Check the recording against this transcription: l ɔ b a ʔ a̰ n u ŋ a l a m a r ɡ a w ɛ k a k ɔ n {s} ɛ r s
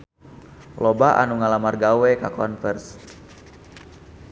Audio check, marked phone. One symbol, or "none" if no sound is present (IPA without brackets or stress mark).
f